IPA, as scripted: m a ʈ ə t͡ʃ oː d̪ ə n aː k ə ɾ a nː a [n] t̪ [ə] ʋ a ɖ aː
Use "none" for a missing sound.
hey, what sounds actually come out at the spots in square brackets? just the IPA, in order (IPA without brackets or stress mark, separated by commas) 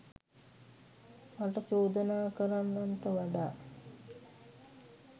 n, ə